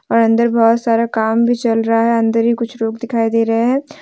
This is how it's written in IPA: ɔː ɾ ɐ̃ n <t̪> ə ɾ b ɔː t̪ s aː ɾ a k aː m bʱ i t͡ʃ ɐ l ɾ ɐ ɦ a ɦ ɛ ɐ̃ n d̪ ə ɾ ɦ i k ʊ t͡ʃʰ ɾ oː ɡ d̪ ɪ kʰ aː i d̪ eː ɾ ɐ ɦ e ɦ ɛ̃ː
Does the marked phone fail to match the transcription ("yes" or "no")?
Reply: yes